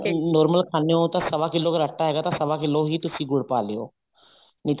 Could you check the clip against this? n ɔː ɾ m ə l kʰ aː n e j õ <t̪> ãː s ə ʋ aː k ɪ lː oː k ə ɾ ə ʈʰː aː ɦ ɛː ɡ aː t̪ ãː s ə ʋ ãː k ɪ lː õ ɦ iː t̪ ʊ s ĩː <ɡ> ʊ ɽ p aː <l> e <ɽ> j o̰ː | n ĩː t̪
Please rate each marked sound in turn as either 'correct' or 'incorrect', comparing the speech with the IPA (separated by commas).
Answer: correct, correct, correct, incorrect